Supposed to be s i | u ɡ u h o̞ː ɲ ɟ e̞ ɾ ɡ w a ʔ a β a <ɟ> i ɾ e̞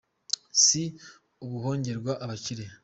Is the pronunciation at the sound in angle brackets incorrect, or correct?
incorrect